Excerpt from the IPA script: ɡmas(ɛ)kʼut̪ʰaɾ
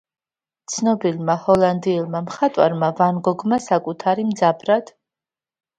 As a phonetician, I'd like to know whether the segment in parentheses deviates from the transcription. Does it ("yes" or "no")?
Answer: yes